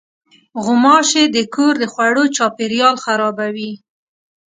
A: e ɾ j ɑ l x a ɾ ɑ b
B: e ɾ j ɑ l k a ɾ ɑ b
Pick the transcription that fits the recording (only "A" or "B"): A